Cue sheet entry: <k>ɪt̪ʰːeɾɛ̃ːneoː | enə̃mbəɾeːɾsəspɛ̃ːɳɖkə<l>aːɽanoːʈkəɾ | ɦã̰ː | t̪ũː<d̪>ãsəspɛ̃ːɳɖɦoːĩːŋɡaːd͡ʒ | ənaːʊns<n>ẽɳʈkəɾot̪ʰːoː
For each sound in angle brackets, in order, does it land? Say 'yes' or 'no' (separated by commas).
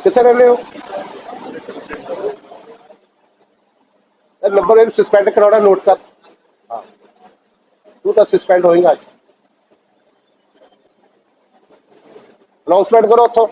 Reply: yes, no, no, no